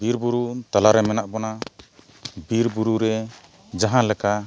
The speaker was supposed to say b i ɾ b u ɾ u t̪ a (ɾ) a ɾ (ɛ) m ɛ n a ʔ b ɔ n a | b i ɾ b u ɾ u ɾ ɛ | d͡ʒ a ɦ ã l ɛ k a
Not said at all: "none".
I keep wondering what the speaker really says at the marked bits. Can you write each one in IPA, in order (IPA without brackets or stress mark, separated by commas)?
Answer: l, ɛ